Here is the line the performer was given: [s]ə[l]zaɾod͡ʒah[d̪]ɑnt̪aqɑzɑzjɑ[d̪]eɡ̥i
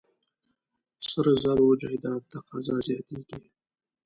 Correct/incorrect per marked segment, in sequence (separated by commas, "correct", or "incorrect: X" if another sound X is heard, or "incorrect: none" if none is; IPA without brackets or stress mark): correct, incorrect: ɾ, correct, incorrect: t̪